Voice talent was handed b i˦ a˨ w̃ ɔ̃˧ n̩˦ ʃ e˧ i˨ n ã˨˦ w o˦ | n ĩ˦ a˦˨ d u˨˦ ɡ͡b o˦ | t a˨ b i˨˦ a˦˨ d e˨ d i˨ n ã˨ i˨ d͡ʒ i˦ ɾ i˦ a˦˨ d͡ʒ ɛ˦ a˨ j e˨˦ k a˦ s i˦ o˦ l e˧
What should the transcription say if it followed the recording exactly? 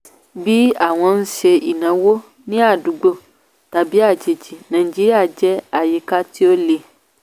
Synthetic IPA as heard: b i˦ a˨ w̃ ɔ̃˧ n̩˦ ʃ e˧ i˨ n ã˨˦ w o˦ | n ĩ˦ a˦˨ d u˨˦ ɡ͡b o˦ | t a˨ b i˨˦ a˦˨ d͡ʒ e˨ d͡ʒ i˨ n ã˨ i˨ d͡ʒ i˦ ɾ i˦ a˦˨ d͡ʒ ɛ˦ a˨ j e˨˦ k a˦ t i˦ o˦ l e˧